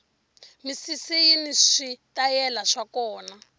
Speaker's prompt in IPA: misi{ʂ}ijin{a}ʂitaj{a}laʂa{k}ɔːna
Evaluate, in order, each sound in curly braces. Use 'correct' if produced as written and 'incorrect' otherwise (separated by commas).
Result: incorrect, incorrect, incorrect, correct